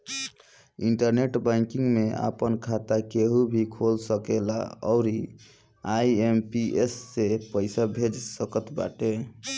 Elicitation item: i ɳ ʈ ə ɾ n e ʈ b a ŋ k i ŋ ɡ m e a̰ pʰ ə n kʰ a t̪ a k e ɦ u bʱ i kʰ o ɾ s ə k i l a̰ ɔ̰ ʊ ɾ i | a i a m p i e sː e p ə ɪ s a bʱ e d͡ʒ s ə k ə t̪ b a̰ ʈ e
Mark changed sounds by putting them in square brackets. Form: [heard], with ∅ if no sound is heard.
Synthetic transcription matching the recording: i ɳ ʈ ə ɾ n e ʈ b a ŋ k i ŋ ɡ m e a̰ [p] ə n kʰ a t̪ a k e ɦ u bʱ i kʰ o [l] s ə k [e] l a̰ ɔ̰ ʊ ɾ i | a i [e] m p i e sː e p ə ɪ s a bʱ e d͡ʒ s ə k ə t̪ b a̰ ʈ e